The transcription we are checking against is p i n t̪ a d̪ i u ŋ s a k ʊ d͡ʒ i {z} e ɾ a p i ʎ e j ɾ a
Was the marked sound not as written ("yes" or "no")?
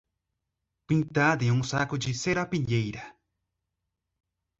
yes